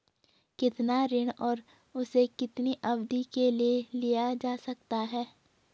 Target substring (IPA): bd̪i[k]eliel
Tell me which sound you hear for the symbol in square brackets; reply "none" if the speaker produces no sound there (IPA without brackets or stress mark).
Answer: k